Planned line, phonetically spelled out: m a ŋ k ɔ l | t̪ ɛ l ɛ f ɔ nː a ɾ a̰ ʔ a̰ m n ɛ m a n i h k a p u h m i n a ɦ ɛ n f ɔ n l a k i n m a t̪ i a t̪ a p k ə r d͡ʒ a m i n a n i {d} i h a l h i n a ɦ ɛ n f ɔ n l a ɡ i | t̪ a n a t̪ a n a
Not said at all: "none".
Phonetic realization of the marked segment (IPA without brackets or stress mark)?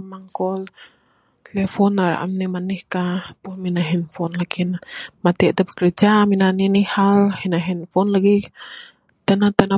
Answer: n